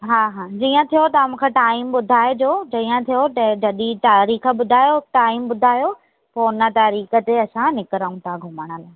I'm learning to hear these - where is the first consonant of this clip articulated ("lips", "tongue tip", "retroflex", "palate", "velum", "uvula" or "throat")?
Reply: throat